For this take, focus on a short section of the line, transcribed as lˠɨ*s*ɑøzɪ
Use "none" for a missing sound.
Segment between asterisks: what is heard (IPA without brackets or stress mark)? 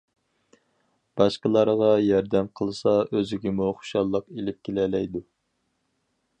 s